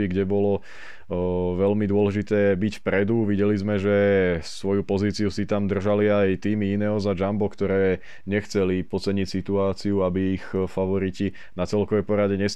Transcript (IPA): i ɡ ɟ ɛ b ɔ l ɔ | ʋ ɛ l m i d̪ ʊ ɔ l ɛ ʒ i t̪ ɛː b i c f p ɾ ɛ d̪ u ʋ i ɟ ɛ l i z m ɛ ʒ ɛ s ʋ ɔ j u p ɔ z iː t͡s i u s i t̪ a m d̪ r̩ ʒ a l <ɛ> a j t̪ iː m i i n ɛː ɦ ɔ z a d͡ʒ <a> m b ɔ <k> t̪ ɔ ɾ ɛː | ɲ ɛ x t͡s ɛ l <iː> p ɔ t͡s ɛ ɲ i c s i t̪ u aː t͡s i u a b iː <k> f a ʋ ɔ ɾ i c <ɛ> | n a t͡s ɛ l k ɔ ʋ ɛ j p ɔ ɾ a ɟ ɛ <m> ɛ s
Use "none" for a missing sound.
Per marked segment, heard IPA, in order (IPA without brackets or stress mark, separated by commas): i, a, k, i, x, i, ɲ